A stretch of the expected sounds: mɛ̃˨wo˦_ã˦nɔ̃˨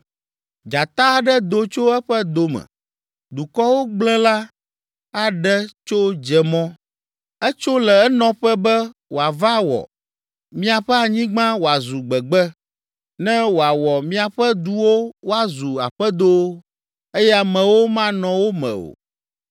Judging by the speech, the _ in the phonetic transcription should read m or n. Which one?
m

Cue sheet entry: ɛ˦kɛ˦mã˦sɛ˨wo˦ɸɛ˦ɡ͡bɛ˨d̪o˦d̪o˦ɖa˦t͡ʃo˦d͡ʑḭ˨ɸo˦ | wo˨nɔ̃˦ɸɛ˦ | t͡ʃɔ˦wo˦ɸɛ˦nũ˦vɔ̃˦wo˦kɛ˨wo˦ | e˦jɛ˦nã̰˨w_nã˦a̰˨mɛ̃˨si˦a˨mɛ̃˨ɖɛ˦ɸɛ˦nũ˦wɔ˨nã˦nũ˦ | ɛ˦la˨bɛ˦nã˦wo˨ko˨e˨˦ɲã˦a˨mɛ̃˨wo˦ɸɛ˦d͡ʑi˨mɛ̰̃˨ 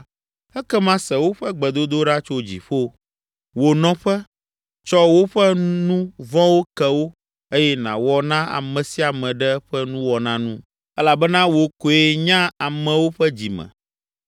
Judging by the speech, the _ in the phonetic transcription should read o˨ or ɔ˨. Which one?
ɔ˨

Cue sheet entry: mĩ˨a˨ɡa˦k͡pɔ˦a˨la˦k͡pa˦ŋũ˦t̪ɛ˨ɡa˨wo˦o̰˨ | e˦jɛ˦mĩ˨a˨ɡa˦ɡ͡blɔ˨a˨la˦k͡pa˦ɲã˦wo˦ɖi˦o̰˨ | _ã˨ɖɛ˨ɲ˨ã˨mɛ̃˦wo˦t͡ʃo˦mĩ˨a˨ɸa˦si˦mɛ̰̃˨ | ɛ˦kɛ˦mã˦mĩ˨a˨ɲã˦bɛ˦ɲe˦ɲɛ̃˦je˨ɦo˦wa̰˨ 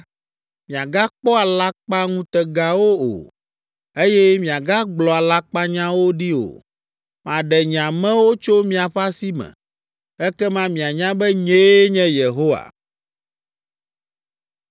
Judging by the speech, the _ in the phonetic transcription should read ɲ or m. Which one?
m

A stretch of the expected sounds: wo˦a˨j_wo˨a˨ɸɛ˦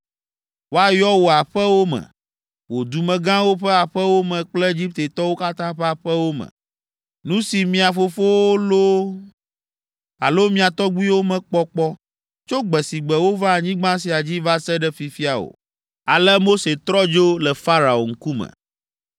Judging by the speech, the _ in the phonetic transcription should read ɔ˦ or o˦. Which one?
ɔ˦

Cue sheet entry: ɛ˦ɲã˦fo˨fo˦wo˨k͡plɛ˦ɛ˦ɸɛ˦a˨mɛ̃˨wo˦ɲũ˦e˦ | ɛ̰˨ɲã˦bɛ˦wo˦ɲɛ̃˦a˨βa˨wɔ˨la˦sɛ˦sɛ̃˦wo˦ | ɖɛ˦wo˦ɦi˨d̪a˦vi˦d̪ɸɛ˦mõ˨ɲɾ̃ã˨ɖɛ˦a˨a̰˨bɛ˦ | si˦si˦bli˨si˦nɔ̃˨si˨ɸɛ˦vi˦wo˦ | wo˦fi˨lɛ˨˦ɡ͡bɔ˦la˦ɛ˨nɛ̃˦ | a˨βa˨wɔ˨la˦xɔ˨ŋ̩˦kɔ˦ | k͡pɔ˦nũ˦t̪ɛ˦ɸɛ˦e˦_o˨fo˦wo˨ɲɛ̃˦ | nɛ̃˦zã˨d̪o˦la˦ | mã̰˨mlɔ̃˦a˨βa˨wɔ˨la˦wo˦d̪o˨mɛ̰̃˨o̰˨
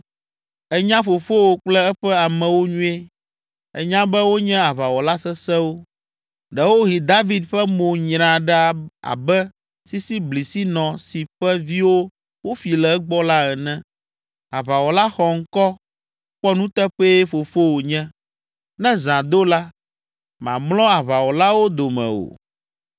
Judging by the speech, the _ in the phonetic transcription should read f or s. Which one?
f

